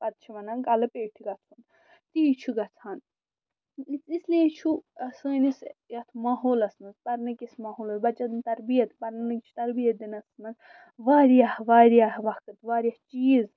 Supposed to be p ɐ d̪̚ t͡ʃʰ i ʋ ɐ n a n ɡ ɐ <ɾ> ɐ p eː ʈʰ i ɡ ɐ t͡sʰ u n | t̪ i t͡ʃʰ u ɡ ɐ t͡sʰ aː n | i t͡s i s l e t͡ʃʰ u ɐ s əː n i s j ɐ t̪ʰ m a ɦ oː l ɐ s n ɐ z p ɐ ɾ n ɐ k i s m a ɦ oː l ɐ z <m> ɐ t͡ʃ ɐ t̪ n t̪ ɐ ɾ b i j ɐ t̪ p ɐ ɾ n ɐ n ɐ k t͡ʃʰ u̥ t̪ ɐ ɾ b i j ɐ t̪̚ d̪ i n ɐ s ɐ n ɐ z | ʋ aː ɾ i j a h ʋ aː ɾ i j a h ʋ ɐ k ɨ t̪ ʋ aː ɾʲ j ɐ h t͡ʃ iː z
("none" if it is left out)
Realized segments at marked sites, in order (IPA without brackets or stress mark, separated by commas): l, b